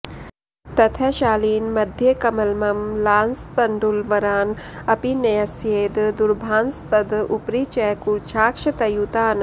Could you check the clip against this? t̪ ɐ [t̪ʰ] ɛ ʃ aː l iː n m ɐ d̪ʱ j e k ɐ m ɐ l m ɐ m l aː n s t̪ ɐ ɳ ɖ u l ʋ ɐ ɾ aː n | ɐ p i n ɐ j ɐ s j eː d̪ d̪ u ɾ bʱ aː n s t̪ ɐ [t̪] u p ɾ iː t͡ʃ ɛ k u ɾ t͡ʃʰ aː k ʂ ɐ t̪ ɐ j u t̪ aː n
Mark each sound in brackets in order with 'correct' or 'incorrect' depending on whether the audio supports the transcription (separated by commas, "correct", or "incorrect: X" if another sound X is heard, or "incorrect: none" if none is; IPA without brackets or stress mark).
correct, incorrect: d̪